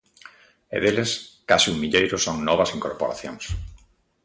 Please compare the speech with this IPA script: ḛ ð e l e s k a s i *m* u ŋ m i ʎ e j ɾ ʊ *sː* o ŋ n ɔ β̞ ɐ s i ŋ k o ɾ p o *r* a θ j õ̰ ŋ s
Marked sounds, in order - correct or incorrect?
incorrect: none, incorrect: s, incorrect: ɾ

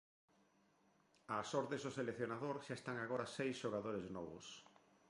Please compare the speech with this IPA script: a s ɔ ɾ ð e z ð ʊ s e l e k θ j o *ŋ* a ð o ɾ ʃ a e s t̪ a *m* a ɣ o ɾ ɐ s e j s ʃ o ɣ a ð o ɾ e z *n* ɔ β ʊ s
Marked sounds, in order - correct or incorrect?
incorrect: n, incorrect: ŋ, correct

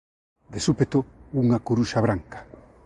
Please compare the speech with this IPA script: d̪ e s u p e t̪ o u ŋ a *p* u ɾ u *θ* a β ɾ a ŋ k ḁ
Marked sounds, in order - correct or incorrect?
incorrect: k, incorrect: ʃ

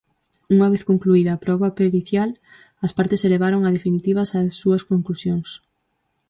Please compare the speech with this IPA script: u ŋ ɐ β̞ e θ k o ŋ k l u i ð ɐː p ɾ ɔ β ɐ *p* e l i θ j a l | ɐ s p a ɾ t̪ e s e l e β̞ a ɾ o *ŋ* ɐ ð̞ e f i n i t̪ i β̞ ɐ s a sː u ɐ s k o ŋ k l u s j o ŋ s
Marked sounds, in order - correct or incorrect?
correct, correct

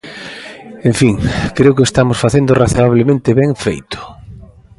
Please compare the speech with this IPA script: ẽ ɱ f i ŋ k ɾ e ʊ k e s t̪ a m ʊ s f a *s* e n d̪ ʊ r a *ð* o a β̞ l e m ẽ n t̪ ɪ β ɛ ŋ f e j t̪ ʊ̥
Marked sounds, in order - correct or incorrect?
incorrect: θ, incorrect: θ

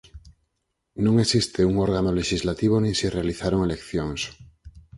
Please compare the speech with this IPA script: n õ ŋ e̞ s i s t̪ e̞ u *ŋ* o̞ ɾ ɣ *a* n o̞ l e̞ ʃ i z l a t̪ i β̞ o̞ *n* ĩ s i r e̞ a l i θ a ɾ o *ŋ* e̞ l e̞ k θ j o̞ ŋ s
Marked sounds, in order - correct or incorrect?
correct, correct, correct, correct

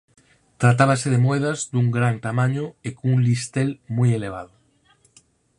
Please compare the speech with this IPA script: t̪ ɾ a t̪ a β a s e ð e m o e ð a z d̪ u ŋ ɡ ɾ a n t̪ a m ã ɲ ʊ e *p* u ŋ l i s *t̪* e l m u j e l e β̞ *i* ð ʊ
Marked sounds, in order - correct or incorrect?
incorrect: k, correct, incorrect: a

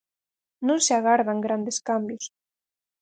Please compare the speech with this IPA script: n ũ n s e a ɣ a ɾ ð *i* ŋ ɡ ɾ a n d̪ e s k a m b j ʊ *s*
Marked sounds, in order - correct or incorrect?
incorrect: a, correct

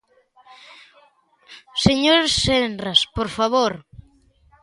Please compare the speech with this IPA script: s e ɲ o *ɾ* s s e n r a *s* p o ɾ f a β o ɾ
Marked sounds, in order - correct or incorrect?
correct, correct

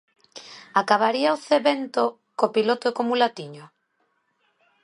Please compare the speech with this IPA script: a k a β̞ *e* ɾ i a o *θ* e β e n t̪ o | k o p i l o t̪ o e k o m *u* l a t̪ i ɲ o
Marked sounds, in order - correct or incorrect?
incorrect: a, correct, correct

